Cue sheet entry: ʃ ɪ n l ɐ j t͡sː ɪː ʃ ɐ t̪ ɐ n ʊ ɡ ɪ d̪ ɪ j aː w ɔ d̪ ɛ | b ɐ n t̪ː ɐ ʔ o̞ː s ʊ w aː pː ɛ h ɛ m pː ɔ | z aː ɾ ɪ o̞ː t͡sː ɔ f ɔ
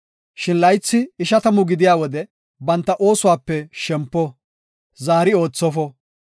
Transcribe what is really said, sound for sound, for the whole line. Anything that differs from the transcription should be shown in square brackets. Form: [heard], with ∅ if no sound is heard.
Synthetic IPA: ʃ ɪ n l ɐ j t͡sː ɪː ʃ ɐ t̪ ɐ [m] ʊ ɡ ɪ d̪ ɪ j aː w ɔ d̪ ɛ | b ɐ n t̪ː ɐ ʔ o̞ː s ʊ w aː pː ɛ [ʃ] ɛ m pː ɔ | z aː ɾ ɪ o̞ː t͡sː ɔ f ɔ